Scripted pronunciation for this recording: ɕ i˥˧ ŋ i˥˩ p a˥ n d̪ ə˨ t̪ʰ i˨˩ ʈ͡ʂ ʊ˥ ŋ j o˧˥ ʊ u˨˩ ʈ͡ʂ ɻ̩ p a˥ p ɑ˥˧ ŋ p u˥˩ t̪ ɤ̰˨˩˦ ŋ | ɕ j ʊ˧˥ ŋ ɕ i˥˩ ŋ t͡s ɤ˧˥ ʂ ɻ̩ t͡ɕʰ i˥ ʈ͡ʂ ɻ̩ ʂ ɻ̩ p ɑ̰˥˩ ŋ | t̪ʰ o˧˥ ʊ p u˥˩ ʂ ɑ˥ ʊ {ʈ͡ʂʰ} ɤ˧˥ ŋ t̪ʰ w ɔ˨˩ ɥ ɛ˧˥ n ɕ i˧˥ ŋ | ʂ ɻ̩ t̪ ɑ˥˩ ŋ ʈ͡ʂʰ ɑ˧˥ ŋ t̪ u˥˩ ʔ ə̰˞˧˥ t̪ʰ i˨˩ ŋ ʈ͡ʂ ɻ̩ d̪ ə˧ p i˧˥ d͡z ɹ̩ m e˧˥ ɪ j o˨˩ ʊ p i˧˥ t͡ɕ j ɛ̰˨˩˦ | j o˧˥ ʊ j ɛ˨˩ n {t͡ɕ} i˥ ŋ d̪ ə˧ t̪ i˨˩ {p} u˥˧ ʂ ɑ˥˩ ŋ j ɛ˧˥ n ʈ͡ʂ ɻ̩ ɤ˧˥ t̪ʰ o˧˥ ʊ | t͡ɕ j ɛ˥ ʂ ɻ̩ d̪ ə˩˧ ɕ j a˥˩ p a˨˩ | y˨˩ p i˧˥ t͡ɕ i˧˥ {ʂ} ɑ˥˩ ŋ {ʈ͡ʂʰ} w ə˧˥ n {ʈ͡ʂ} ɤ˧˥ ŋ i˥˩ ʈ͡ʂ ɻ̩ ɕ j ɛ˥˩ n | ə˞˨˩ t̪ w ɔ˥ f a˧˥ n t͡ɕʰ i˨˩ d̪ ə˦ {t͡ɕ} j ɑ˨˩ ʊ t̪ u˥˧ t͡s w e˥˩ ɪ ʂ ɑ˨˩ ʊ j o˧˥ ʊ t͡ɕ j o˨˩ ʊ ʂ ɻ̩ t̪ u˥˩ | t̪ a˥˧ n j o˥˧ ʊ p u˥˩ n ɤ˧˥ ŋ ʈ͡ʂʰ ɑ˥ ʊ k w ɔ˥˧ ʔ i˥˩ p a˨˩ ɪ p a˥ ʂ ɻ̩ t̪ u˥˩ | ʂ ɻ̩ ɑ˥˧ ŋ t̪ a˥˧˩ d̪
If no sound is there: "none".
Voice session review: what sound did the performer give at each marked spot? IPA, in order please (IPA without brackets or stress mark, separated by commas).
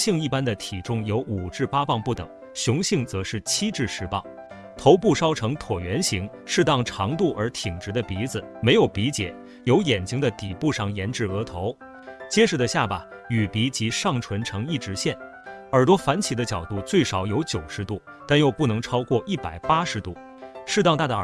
ʈ͡ʂʰ, t͡ɕ, p, ʂ, ʈ͡ʂʰ, ʈ͡ʂʰ, t͡ɕ